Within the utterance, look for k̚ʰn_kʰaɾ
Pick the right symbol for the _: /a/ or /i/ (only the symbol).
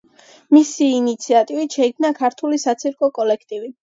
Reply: a